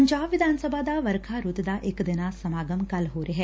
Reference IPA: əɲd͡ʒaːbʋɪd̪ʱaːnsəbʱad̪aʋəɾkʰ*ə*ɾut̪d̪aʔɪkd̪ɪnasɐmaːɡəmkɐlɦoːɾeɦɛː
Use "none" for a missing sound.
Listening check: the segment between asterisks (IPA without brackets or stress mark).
a